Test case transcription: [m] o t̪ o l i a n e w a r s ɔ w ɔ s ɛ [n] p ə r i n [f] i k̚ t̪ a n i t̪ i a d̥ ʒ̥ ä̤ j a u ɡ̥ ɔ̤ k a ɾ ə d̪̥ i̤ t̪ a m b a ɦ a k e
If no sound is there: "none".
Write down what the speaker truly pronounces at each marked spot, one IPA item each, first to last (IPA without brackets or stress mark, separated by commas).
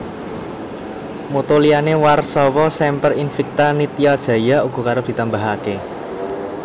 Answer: m, m, f